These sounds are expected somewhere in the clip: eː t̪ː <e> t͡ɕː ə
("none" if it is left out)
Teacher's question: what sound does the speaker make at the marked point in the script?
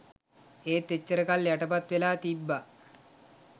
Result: e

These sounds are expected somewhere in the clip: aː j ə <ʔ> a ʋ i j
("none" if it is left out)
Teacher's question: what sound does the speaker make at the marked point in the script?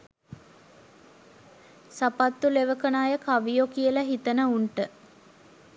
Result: k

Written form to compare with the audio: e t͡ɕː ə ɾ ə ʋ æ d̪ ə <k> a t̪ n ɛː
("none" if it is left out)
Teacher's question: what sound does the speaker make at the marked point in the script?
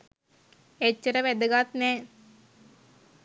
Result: ɡ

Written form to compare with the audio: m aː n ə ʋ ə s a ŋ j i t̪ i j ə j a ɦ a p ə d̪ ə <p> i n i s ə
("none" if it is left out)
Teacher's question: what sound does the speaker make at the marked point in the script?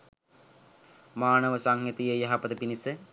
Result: p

